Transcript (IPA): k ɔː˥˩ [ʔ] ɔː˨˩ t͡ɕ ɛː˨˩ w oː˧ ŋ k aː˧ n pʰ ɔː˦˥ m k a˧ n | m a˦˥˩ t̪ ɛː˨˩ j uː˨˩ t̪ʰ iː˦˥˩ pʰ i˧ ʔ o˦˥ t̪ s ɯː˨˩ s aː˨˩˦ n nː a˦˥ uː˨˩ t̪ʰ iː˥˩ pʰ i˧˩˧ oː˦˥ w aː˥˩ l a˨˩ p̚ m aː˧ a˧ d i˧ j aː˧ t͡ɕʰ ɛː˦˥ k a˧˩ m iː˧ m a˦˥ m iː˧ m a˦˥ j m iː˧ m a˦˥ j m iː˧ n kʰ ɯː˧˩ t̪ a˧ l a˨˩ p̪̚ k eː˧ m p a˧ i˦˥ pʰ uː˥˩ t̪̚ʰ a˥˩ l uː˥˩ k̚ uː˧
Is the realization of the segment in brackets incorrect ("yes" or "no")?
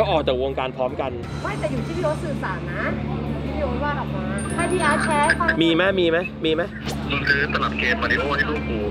no